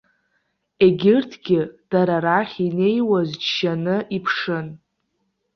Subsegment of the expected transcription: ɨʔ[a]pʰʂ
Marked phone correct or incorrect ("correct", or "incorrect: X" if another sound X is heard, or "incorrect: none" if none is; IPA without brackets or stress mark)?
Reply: incorrect: i